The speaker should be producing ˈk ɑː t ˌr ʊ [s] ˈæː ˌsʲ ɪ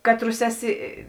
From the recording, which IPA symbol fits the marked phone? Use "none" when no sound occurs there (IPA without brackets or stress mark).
s